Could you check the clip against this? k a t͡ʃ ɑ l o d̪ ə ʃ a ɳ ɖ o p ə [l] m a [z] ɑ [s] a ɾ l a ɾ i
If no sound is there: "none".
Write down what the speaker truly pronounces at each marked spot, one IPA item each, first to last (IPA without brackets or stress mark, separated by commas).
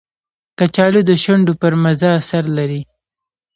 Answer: ɾ, z, s